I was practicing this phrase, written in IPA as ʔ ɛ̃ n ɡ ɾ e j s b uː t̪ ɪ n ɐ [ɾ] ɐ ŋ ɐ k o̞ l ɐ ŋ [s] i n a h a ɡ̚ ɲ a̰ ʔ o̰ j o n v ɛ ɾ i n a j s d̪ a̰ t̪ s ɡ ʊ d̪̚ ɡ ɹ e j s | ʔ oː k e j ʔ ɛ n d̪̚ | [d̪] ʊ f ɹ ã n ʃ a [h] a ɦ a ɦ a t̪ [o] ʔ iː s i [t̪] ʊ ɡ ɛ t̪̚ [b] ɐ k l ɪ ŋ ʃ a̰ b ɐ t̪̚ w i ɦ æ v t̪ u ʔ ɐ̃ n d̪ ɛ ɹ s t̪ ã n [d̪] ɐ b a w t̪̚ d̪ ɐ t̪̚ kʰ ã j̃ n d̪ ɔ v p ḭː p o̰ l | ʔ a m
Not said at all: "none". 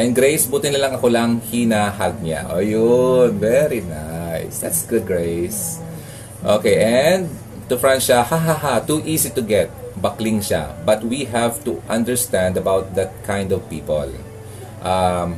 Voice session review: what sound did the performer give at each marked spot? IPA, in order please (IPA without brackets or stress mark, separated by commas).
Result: l, h, t̪, h, u, t̪, b, d̪